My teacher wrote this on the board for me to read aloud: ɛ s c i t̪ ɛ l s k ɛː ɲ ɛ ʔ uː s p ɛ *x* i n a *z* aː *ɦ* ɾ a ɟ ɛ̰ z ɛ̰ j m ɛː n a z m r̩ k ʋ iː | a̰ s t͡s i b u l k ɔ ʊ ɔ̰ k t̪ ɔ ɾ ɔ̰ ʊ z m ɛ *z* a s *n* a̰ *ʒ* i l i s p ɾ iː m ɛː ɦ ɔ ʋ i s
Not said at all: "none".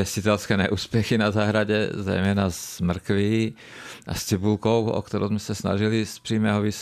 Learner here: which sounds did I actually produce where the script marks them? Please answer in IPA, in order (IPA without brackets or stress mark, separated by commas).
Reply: x, z, ɦ, s, n, ʒ